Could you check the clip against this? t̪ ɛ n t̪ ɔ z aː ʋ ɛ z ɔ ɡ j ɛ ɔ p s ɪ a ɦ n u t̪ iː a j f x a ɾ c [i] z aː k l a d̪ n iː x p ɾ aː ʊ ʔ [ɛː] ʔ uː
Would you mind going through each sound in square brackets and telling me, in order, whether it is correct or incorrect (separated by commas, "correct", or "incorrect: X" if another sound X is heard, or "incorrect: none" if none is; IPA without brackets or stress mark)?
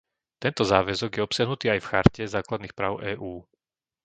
incorrect: ɛ, correct